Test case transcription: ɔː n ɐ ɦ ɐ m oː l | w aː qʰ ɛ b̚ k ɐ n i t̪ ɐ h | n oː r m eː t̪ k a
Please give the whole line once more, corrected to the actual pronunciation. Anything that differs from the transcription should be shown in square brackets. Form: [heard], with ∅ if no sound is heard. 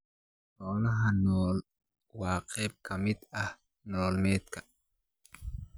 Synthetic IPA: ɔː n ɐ ɦ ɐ [n] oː l | w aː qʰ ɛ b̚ k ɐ [m] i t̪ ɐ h | n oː [l] m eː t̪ k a

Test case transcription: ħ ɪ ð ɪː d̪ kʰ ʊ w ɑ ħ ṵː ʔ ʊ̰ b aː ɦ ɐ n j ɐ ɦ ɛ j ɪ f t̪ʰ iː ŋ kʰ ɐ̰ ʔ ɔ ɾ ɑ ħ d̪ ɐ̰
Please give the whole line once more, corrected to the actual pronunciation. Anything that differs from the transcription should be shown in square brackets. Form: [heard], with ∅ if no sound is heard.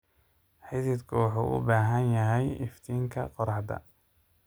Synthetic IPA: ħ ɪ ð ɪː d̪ kʰ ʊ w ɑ ħ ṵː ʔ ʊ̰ b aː ɦ ɐ n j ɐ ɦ ɛ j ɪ f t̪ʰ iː ŋ kʰ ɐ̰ [q] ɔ ɾ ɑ ħ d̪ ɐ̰

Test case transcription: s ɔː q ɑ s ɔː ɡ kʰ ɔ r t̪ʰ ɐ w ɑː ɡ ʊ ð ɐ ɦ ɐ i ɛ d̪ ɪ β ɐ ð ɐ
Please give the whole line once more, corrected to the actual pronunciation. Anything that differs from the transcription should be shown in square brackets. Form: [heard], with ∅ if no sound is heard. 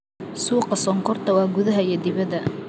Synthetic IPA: s [uː] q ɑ s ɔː [ŋ] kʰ ɔ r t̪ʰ ɐ w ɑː ɡ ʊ ð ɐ ɦ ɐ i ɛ d̪ ɪ β ɐ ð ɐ

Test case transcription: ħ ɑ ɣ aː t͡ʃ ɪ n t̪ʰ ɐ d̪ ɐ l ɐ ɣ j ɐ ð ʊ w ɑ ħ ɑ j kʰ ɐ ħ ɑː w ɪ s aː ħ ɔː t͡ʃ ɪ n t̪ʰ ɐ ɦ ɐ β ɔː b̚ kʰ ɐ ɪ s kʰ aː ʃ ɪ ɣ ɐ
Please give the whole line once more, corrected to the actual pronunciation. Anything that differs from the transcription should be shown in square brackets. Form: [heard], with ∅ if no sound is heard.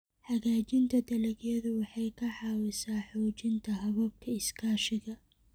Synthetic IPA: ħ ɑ ɣ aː t͡ʃ ɪ n t̪ʰ ɐ d̪ ɐ l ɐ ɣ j ɐ ð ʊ w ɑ ħ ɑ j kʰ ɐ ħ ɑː w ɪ s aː ħ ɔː t͡ʃ ɪ n t̪ʰ ɐ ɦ ɐ β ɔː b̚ kʰ ɐ ɪ s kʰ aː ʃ ɪ ɣ ɐ

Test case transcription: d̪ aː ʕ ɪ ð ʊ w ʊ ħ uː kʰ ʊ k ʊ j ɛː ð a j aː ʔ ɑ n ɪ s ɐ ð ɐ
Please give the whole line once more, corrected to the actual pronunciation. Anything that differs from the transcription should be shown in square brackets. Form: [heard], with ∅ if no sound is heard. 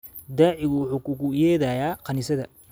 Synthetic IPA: d̪ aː ʕ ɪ [ɣ] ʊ w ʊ ħ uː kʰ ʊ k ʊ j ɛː ð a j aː [q] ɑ n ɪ s ɐ ð ɐ

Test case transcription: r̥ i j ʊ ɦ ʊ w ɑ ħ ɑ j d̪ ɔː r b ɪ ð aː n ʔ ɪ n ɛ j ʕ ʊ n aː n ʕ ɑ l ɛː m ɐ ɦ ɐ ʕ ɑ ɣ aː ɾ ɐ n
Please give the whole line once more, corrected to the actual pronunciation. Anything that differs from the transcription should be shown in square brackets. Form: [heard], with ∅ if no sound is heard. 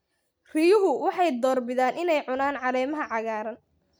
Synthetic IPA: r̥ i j ʊ ɦ ʊ w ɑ ħ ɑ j d̪ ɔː r b ɪ ð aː n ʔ ɪ n ɛ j ʕ ʊ n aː n ʕ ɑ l ɛː m ɐ ɦ ɐ ʕ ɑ ɣ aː ɾ ɐ n

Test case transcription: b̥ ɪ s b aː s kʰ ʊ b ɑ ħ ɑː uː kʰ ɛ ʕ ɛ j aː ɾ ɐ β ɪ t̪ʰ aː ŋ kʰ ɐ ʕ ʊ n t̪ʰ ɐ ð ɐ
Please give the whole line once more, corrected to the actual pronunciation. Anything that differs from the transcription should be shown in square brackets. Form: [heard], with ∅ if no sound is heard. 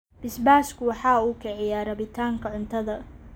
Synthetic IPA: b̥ ɪ s b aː s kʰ ʊ [w] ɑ ħ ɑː uː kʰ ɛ ʕ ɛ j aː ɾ ɐ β ɪ t̪ʰ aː ŋ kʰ ɐ ʕ ʊ n t̪ʰ ɐ ð ɐ

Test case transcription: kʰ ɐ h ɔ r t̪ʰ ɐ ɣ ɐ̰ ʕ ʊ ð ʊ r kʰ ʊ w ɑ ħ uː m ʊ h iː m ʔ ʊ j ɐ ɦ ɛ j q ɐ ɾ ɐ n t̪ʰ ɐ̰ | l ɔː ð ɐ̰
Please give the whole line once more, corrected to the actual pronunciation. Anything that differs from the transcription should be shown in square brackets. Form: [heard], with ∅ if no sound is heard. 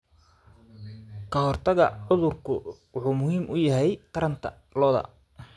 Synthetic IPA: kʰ ɐ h ɔ r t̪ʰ ɐ ɣ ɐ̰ ʕ ʊ ð ʊ r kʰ ʊ w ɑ ħ uː m ʊ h iː m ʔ ʊ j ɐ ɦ ɛ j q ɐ ɾ ɐ n t̪ʰ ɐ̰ | l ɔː ð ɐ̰

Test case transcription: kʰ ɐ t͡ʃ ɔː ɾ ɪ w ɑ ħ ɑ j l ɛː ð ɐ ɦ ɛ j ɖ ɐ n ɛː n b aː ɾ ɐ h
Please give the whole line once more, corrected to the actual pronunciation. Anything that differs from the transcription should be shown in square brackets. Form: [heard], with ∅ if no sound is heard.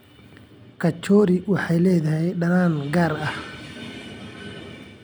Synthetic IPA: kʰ ɐ t͡ʃ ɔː ɾ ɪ w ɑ ħ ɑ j l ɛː ð ɐ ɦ ɛ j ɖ ɐ n [aː] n [ɡ] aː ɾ ɐ h

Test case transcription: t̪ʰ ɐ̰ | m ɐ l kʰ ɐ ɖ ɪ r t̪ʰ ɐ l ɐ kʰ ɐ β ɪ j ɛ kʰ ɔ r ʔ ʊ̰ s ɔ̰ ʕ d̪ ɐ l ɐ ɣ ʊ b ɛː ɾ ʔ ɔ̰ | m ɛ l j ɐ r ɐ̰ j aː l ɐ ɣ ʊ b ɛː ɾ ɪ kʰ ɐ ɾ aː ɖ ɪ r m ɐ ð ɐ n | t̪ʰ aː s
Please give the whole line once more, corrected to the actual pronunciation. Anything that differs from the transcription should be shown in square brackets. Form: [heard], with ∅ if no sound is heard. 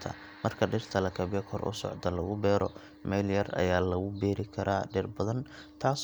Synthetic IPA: t̪ʰ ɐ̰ | m ɐ [r] kʰ ɐ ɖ ɪ r t̪ʰ ɐ l ɐ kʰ ɐ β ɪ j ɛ kʰ ɔ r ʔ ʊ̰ s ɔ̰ ʕ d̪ ɐ l ɐ ɣ ʊ b ɛː ɾ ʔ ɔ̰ | m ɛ l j ɐ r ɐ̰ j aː l ɐ ɣ ʊ b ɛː ɾ ɪ kʰ ɐ ɾ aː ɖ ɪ r [b] ɐ ð ɐ n | t̪ʰ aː s

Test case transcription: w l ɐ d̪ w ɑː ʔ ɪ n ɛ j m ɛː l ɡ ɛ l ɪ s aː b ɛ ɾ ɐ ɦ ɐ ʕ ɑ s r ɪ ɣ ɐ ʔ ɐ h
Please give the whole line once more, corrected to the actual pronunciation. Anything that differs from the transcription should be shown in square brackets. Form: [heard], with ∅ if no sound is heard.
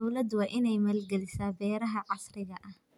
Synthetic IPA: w l ɐ d̪ w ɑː ʔ ɪ n ɛ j m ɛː l ɡ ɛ l ɪ s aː b [ɛː] ɾ ɐ ɦ ɐ ʕ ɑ s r ɪ ɣ ɐ ʔ ɐ h

